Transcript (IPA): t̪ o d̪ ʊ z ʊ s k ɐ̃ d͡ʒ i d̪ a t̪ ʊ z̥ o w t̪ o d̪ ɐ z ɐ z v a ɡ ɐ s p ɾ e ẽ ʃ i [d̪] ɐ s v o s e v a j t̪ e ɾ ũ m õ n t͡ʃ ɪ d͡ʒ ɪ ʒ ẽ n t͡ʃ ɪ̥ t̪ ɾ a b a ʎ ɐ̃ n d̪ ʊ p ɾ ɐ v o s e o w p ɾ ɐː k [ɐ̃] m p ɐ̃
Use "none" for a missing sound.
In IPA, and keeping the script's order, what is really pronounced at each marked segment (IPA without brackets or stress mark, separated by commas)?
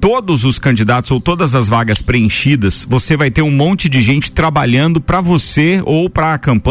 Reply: d̪, ɐ̃